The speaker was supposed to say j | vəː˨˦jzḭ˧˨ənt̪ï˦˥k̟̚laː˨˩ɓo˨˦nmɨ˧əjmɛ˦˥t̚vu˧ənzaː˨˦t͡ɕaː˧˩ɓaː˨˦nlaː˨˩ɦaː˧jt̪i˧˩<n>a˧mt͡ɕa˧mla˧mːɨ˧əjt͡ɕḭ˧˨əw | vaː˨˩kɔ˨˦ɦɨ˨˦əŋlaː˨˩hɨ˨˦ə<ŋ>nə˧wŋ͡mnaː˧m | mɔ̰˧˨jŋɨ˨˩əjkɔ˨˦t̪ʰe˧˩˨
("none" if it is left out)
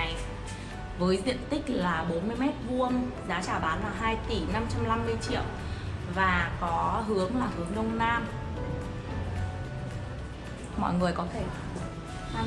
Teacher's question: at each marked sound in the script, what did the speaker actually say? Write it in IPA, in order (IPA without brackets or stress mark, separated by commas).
n, ŋ